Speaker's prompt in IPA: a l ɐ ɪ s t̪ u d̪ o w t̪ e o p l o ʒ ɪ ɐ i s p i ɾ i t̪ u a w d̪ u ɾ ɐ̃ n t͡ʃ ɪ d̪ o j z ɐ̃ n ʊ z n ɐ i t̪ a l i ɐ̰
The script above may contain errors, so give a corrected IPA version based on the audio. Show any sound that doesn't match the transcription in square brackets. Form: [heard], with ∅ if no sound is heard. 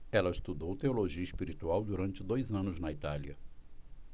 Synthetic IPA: [ɛ] l ɐ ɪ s t̪ u d̪ o w t̪ e o [∅] l o ʒ [i] ɐ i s p i ɾ i t̪ u a w d̪ u ɾ ɐ̃ n t͡ʃ ɪ d̪ o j z ɐ̃ n ʊ z n ɐ i t̪ a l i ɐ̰